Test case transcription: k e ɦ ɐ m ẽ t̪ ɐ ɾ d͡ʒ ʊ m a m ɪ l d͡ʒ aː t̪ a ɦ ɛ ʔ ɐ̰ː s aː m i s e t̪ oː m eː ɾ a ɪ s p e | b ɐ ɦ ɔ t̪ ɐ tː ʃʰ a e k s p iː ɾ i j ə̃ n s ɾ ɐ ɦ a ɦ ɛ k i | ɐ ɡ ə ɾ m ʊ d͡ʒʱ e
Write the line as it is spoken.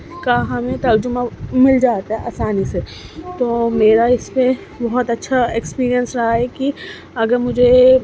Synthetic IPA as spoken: k a ɦ ɐ m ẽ t̪ ɐ ɾ d͡ʒ ʊ m a m ɪ l d͡ʒ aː t̪ a ɦ ɛ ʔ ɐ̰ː s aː n i s e t̪ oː m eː ɾ a ɪ s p e | b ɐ ɦ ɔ t̪ ɐ tː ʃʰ a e k s p iː ɾ i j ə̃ n s ɾ ɐ ɦ a ɦ ɛ k i | ɐ ɡ ə ɾ m ʊ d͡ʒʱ e